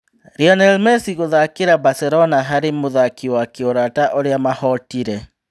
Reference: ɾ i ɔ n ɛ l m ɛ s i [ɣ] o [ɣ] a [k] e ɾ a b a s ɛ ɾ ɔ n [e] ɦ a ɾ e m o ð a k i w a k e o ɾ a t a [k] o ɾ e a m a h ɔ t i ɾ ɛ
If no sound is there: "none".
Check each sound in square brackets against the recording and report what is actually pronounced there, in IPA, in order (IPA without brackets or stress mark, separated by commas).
ɣ, ð, k, a, ʔ